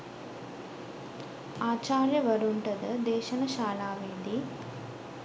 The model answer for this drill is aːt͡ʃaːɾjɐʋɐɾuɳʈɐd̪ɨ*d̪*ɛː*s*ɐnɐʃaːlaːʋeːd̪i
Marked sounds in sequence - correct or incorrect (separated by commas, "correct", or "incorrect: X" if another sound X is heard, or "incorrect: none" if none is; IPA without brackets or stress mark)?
correct, incorrect: ʃ